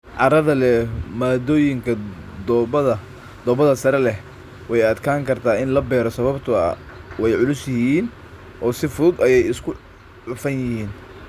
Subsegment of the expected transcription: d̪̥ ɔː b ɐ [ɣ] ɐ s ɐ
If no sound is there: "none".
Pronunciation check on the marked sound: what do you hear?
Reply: ð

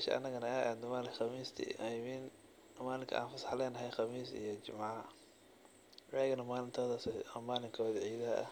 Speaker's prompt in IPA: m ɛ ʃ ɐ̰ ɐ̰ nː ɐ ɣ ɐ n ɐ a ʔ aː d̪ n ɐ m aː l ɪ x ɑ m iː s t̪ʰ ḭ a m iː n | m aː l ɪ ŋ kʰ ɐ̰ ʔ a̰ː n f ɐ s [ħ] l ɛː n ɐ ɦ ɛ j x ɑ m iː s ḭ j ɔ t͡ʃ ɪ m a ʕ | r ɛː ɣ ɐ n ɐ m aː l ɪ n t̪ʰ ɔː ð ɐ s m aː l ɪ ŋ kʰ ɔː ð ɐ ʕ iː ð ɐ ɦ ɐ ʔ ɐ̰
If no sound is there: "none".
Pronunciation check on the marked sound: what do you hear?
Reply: ħ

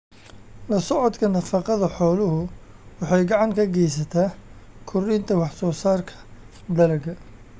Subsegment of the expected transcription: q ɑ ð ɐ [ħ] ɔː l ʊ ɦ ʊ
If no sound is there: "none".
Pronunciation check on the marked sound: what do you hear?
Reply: ħ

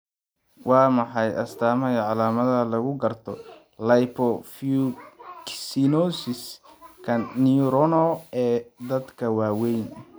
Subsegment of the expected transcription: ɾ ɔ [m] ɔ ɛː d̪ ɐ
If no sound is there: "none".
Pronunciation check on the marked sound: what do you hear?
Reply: n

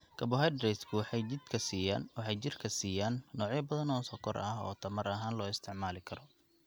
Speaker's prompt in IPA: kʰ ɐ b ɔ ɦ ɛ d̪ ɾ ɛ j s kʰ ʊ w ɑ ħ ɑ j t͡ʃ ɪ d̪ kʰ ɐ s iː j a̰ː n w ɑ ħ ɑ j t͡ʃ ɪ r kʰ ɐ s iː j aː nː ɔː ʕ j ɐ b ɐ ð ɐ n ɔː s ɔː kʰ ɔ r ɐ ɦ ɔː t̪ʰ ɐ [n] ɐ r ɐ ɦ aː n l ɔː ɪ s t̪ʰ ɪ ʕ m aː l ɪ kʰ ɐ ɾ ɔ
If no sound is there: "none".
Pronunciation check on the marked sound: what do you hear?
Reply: m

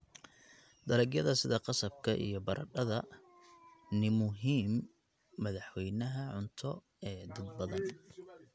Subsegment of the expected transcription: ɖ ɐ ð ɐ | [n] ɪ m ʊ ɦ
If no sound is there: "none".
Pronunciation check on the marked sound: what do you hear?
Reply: n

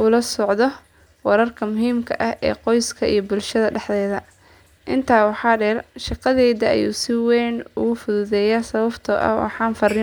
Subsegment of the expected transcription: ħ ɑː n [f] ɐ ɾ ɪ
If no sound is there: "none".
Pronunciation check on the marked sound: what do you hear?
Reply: f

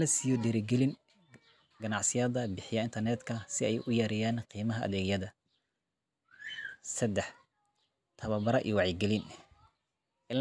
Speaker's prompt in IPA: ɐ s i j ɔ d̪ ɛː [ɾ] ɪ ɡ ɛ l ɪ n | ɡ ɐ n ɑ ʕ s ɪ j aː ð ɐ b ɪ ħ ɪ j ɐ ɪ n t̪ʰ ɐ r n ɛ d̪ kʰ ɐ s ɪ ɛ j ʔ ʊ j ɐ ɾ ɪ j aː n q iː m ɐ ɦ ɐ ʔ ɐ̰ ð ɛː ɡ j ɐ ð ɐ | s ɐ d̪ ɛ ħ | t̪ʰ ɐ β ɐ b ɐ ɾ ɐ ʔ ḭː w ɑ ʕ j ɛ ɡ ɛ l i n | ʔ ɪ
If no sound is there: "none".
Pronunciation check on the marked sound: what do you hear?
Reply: ɾ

